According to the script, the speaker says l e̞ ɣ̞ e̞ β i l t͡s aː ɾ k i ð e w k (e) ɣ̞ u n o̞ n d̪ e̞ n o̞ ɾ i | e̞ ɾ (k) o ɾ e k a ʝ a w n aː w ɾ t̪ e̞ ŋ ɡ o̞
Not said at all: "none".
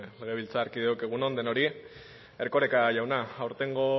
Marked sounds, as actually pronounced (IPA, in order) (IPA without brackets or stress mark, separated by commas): e, k